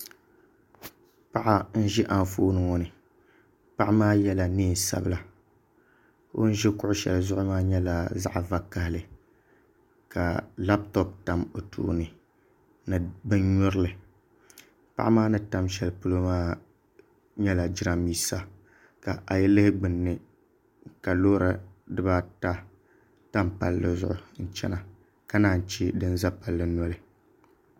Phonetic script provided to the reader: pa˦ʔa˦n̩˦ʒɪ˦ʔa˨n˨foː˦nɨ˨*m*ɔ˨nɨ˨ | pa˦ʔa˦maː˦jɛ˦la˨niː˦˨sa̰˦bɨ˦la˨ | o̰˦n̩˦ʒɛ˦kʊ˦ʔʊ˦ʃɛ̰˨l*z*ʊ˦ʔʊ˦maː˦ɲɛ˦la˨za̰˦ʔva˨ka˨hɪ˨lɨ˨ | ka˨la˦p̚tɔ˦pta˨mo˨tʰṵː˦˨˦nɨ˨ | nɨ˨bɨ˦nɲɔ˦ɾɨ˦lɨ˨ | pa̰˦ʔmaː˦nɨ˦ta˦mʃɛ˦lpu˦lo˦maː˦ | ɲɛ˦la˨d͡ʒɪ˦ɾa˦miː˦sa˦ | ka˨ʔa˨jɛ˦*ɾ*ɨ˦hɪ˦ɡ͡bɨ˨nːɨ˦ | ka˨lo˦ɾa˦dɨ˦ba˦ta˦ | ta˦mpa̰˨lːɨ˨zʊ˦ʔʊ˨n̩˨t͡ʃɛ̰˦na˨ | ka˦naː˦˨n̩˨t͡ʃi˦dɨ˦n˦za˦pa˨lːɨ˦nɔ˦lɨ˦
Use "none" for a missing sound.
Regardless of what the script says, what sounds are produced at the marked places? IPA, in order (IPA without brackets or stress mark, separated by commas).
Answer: ŋ, z, l